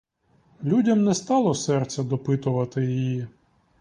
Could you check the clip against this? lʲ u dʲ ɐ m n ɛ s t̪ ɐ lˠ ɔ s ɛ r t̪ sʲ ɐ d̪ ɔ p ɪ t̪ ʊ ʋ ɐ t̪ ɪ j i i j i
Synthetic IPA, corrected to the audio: lʲ u dʲ ɐ m n ɛ s t̪ ɑ lˠ ɔ s ɛ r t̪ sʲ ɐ d̪ ɔ p ɪ t̪ ʊ ʋ ɐ t̪ ɪ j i j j i

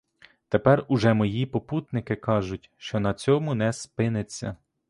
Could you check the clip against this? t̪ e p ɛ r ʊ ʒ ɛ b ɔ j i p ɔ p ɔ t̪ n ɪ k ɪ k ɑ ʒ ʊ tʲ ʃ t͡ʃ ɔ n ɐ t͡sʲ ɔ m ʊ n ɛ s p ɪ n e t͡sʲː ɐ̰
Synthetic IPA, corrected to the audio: t̪ e p ɛ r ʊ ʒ ɛ m ɔ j i p ɔ p u t̪ n ɪ k ɪ k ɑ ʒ ʊ tʲ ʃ t͡ʃ ɔ n ɐ t͡sʲ ɔ m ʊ n ɛ s p ɪ n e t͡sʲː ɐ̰

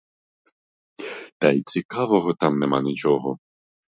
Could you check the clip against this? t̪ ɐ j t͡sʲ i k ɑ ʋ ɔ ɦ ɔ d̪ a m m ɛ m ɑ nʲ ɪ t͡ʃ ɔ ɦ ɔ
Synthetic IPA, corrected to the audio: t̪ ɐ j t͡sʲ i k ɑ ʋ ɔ ɦ ɔ t̪ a m n ɛ m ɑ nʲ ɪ t͡ʃ ɔ ɦ ɔ

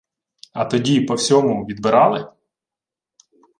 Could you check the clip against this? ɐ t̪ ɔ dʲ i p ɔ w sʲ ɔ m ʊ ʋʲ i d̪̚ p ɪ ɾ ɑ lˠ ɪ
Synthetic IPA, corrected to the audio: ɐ t̪ ɔ dʲ i p ɔ w sʲ ɔ m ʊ ʋʲ i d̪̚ b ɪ ɾ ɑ lˠ ɪ

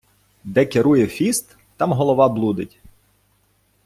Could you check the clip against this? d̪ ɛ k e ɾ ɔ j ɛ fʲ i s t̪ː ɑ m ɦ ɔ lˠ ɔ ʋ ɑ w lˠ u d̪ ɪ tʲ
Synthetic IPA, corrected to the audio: d̪ ɛ k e ɾ u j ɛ fʲ i s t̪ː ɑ m ɦ ɔ lˠ ɔ ʋ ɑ b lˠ u d̪ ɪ tʲ

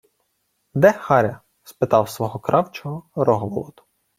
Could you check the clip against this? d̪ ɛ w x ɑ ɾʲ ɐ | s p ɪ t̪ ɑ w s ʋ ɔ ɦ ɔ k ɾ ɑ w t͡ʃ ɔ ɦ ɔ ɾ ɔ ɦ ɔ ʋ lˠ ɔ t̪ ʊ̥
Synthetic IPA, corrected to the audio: d̪ ɛ x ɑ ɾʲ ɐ | s p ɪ t̪ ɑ w s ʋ ɔ ɦ ɔ k ɾ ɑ w t͡ʃ ɔ ɦ ɔ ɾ ɔ ɦ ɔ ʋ lˠ ɔ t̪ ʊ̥

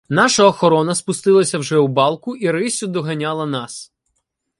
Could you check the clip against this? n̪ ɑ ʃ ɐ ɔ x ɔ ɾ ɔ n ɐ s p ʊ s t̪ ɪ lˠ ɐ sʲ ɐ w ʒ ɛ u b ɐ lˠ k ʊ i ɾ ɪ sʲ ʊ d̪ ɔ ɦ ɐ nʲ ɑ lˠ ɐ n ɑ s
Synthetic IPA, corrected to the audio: n̪ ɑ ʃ ɐ ɔ x ɔ ɾ ɔ n ɐ s p ʊ s t̪ ɪ lˠ ɐ sʲ ɐ w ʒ ɛ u b ɑ lˠ k ʊ i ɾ ɪ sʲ ʊ d̪ ɔ ɦ ɐ nʲ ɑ lˠ ɐ n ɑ s

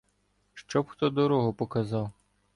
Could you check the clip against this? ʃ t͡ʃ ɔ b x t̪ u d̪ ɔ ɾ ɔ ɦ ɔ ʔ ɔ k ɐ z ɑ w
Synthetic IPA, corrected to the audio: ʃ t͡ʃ ɔ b x t̪ ɔ d̪ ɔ ɾ ɔ ɦ ɔ p ɔ k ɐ z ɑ w

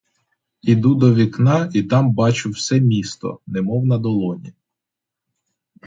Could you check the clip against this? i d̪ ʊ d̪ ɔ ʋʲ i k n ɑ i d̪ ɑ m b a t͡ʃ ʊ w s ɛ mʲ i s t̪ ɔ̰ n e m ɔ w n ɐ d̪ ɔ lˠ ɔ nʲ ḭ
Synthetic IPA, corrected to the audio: i d̪ u d̪ ɔ ʋʲ i k n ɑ i t̪ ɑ m b ɑ t͡ʃ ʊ w s ɛ mʲ i s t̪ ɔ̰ n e m ɔ w n ɐ d̪ ɔ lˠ ɔ nʲ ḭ

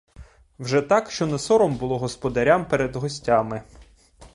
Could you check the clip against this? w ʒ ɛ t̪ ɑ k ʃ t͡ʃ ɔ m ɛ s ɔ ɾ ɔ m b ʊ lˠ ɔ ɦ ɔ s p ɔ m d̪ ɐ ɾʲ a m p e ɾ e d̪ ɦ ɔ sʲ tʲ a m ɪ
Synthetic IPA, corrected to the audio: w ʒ ɛ t̪ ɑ k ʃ t͡ʃ ɔ n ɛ s ɔ ɾ ɔ m b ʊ lˠ ɔ ɦ ɔ s p ɔ d̪ ɐ ɾʲ a m p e ɾ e d̪ ɦ ɔ sʲ tʲ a m ɪ

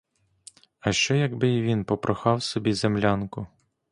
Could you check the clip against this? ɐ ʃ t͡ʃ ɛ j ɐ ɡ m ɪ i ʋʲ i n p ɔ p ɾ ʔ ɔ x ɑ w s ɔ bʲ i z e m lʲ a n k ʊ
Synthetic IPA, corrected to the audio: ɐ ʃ t͡ʃ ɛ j ɐ ɡ b ɪ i ʋʲ i n p ɔ p ɾ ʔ ɔ x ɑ w s ɔ bʲ i z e m lʲ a n k ʊ

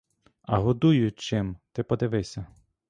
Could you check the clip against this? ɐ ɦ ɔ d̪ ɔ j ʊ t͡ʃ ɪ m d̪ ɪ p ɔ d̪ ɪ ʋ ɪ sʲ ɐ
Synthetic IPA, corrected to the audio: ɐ ɦ ɔ d̪ u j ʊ t͡ʃ ɪ m t̪ ɪ p ɔ d̪ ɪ ʋ ɪ sʲ ɐ

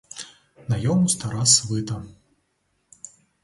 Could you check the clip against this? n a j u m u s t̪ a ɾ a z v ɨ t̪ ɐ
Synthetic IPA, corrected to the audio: n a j ɔ m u s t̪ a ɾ a s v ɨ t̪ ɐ

